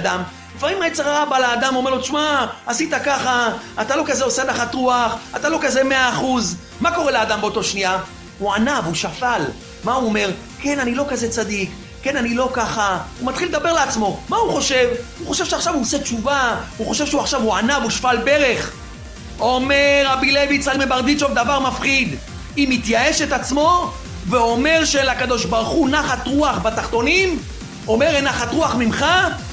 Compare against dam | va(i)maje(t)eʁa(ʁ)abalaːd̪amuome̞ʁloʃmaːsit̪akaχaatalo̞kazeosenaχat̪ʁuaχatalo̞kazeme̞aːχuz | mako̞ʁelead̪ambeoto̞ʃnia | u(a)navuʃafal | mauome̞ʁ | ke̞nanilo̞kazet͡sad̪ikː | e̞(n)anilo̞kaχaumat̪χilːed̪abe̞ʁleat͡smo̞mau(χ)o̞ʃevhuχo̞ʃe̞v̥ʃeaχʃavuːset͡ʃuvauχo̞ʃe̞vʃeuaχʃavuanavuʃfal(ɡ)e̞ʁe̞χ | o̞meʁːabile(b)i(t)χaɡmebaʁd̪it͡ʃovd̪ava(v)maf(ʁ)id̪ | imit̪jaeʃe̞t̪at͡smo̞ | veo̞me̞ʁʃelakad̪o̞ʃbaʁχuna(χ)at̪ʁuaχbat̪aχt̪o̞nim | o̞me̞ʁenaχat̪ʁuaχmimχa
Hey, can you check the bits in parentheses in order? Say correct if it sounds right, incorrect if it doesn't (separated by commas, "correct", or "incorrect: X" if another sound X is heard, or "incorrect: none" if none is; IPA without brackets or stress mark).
correct, incorrect: t͡s, correct, correct, correct, correct, incorrect: b, incorrect: v, incorrect: t͡s, incorrect: ʁ, incorrect: χ, correct